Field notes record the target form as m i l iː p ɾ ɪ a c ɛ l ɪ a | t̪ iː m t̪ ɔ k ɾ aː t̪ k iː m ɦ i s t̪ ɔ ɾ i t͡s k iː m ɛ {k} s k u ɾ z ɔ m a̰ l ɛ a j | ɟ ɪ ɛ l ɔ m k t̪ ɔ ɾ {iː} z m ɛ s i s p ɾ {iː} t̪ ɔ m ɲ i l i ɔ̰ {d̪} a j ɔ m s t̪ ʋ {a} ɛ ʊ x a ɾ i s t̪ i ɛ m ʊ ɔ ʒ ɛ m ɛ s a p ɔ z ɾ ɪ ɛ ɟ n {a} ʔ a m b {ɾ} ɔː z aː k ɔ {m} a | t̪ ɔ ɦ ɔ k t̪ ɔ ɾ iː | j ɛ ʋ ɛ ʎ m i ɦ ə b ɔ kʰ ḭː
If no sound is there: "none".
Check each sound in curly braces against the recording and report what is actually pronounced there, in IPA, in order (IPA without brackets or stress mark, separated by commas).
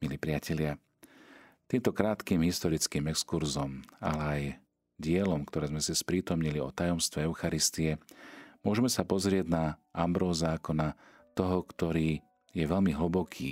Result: k, ɛː, iː, t̪, ɛ, a, ɾ, n